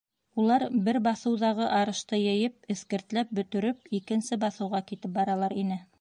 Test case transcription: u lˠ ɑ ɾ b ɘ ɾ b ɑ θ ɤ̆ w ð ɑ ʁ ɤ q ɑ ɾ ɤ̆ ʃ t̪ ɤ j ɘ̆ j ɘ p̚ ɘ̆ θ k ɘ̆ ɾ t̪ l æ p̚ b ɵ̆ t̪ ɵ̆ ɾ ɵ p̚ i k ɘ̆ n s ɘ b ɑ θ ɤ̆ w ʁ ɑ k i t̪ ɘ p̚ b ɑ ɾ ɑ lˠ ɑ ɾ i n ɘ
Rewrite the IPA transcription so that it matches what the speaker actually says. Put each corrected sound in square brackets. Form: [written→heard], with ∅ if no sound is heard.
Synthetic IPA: u lˠ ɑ ɾ b ɘ ɾ b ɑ θ ɤ̆ w ð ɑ ʁ ɤ [q→ʔ] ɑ ɾ ɤ̆ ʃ t̪ ɤ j ɘ̆ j ɘ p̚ ɘ̆ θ k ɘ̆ ɾ t̪ l æ p̚ b ɵ̆ t̪ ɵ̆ ɾ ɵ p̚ i k ɘ̆ n s ɘ b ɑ θ ɤ̆ w ʁ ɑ k i t̪ ɘ p̚ b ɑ ɾ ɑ lˠ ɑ ɾ i n ɘ